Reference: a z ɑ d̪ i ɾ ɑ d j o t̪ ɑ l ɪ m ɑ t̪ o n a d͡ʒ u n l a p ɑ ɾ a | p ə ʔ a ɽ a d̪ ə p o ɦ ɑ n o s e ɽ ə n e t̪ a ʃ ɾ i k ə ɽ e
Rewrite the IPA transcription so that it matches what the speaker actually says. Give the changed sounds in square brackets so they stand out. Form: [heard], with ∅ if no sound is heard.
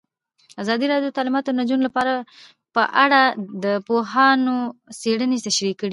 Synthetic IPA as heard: a z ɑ d̪ i ɾ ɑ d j o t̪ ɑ l ɪ m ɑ t̪ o n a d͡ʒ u n l a p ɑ ɾ a | p ə ʔ a ɽ a d̪ ə p o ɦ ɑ n o s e ɽ ə n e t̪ a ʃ ɾ i k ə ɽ [i]